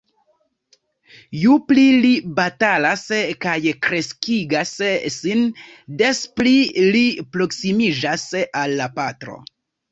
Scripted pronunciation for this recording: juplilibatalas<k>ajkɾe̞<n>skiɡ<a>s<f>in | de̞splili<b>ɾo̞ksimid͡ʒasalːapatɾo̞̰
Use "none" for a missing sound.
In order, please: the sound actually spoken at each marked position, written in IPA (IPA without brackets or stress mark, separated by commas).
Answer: k, none, a, s, p